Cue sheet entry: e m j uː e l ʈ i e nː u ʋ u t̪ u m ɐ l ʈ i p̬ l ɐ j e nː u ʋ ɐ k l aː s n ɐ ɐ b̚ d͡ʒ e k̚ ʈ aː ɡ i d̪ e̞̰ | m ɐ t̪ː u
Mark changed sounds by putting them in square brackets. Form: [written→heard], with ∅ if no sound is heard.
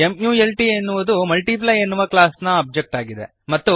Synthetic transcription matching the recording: e m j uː e l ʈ i e nː u ʋ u [t̪→d̪] u m ɐ l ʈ i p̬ l ɐ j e nː u ʋ ɐ k l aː s n ɐ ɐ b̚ d͡ʒ e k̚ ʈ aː ɡ i d̪ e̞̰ | m ɐ t̪ː u